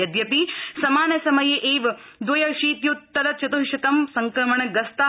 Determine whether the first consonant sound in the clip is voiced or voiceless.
voiced